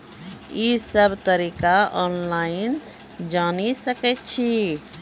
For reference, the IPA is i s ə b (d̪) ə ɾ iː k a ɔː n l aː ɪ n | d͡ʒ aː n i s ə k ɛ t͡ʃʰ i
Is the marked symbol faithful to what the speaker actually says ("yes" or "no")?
no